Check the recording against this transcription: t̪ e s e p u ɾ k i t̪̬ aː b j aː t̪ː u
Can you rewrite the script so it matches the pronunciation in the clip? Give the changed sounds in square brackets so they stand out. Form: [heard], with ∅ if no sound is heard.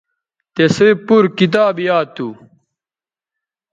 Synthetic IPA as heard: t̪ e s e p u ɾ k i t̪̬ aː b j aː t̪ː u

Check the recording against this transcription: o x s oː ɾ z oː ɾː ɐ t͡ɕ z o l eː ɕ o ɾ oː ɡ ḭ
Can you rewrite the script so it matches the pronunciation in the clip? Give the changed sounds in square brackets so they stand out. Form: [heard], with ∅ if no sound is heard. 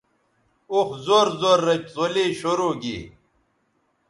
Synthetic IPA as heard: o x [z] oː ɾ z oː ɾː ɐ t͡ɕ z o l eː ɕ o ɾ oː ɡ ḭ

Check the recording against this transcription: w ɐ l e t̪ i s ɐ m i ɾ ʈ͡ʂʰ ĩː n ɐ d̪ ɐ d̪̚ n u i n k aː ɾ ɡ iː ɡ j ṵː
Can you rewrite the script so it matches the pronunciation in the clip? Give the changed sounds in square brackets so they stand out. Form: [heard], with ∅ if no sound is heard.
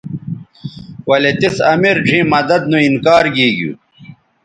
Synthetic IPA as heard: w ɐ l e t̪ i s ɐ m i ɾ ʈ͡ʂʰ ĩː [m] ɐ d̪ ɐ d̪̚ n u i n k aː ɾ ɡ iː ɡ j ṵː

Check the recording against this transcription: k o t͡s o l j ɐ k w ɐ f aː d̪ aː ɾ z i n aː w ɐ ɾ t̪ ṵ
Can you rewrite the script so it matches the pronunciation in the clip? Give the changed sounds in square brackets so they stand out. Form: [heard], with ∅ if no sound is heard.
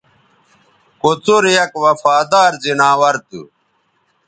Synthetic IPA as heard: k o t͡s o [ɾ] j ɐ k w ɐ f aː d̪ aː ɾ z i n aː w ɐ ɾ t̪ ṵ

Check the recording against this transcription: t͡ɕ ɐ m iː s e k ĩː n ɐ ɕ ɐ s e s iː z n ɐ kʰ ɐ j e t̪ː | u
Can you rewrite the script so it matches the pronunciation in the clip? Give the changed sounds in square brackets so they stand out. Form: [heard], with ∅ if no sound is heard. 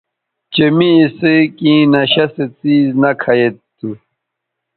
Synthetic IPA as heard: t͡ɕ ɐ m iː s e k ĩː n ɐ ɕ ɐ s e [t͡s] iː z n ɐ kʰ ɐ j e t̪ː | u

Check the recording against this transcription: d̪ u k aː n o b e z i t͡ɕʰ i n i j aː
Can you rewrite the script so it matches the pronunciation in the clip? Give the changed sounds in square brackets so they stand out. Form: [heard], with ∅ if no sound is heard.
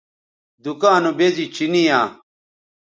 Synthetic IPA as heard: d̪ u k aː n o b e z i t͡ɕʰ i n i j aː

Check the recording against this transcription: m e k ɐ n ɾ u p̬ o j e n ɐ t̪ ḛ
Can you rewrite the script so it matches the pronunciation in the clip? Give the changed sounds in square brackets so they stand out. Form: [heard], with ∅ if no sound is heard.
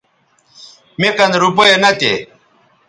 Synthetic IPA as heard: m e k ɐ n ɾ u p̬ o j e n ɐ t̪ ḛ

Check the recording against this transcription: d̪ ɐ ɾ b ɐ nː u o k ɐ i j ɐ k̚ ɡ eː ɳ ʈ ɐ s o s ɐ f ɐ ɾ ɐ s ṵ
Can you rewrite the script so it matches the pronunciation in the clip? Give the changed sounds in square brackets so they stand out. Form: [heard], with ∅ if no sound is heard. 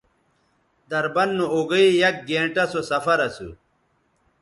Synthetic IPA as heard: d̪ ɐ ɾ b ɐ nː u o [ɡ] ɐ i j ɐ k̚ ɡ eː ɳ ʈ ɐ s o s ɐ f ɐ ɾ ɐ s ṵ

